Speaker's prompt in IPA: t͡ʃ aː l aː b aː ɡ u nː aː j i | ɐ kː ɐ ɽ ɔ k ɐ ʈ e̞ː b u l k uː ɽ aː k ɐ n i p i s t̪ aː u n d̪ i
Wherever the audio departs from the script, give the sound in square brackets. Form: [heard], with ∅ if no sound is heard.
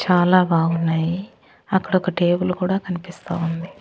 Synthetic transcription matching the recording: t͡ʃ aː l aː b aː ɡ u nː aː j i | ɐ kː ɐ ɽ ɔ k ɐ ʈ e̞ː b u l k uː ɽ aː k ɐ n i p i s t̪ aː u n d̪ i